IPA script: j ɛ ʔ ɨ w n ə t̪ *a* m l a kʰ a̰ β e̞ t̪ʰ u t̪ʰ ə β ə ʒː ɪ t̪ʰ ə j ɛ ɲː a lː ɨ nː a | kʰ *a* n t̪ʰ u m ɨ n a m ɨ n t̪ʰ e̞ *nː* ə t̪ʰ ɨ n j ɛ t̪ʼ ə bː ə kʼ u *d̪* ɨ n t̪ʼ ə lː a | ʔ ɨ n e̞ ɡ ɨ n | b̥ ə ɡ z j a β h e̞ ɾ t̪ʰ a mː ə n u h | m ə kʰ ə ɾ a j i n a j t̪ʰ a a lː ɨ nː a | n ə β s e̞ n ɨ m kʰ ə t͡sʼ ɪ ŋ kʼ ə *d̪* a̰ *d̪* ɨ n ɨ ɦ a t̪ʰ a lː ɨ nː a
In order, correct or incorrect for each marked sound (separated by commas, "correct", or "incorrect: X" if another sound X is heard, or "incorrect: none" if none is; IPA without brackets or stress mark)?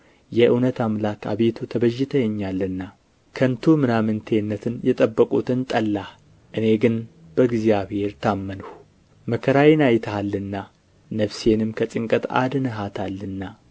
correct, incorrect: ə, correct, incorrect: t̪, incorrect: t̪, correct